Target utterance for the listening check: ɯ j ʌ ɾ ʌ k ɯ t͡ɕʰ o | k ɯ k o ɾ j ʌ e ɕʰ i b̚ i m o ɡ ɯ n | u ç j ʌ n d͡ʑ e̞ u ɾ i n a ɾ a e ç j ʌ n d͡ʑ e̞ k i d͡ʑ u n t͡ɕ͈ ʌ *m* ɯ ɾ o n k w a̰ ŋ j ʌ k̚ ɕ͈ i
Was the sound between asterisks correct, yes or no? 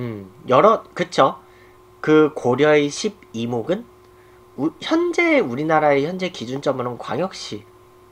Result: yes